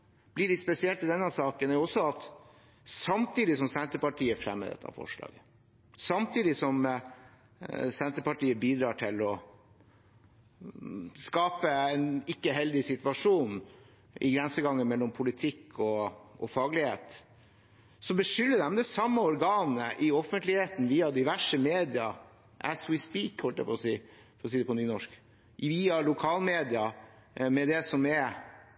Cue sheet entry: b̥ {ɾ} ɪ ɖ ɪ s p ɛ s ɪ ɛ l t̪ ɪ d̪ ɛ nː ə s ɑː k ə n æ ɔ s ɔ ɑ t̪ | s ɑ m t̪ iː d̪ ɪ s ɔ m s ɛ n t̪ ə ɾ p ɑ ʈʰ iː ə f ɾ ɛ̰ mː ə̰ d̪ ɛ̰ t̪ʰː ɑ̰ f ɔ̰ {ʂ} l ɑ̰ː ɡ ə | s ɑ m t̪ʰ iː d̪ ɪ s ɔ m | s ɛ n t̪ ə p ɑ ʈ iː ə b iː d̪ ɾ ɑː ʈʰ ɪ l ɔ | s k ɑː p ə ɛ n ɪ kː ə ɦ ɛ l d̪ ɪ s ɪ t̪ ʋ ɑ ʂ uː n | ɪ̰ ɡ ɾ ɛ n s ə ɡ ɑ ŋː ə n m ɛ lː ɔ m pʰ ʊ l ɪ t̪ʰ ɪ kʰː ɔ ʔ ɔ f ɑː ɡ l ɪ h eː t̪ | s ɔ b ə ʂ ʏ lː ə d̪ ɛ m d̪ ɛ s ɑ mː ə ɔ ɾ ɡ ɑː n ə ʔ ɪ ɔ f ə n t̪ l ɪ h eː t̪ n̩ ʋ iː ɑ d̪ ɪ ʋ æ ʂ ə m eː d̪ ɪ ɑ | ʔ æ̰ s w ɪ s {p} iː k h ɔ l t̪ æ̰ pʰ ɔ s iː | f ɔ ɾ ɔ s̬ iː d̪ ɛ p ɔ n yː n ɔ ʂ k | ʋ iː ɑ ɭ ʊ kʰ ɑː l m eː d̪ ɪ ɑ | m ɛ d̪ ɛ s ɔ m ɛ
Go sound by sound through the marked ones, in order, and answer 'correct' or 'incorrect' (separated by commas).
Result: incorrect, correct, correct